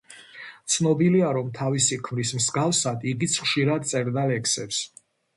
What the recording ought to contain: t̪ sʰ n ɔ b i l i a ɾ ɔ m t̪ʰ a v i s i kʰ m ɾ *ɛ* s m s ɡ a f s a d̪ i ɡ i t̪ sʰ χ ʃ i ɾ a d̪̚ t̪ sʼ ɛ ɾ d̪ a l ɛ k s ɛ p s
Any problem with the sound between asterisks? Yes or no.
yes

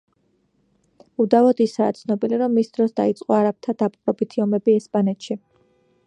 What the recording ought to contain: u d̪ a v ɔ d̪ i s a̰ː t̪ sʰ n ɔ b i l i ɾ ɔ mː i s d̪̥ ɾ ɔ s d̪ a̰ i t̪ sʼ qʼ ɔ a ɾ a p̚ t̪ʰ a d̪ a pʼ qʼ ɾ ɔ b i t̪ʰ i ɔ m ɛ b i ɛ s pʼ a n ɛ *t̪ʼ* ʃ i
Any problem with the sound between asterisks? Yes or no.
yes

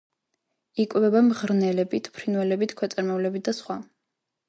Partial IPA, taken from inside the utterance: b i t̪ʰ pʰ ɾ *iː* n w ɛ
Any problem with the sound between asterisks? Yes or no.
yes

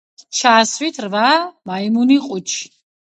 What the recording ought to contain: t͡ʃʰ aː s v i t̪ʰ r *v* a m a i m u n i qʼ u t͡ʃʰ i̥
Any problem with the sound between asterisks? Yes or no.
no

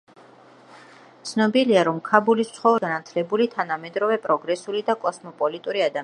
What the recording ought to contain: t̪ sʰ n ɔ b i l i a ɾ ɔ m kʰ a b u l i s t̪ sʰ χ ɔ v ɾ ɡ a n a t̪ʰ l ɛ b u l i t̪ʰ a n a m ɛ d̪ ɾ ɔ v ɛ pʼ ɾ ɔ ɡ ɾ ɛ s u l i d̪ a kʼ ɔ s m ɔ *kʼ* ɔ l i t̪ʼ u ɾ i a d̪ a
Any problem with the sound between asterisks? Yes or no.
yes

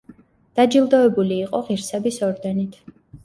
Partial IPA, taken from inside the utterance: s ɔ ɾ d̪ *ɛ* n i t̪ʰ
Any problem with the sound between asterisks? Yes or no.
no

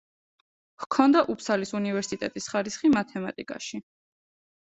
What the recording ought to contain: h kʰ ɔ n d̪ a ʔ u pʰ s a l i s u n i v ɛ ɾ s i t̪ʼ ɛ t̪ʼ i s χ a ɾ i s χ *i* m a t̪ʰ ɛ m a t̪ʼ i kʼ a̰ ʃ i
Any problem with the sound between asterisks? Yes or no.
no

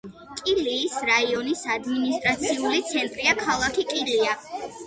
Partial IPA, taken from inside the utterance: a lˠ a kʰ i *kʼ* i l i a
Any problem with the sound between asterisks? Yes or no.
no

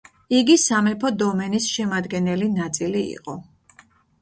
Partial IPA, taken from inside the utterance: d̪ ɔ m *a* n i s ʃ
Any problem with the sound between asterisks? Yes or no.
yes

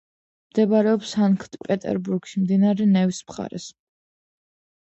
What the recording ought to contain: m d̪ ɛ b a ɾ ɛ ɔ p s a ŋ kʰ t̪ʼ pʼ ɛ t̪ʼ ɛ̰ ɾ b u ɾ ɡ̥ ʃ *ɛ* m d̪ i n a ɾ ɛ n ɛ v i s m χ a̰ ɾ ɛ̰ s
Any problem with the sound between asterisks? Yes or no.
yes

